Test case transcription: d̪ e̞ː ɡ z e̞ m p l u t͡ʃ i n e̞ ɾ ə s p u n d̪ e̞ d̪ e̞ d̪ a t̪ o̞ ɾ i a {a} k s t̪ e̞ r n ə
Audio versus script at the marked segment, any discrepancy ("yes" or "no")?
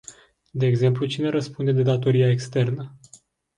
yes